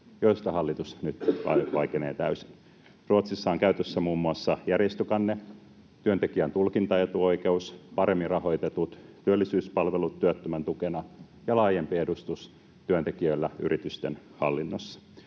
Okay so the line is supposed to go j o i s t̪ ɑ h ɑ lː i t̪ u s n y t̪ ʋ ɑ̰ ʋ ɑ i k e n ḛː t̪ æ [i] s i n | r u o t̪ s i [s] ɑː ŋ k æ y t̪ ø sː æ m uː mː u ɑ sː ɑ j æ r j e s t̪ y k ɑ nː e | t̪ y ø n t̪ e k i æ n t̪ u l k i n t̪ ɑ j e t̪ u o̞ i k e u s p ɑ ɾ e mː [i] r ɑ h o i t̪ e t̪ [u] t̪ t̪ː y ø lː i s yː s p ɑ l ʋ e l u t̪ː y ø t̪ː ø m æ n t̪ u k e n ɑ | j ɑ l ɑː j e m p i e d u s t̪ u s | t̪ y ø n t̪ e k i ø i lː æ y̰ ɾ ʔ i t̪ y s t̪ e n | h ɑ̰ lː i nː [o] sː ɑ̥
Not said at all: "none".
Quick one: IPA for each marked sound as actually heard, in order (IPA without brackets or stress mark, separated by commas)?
y, sː, i, u, o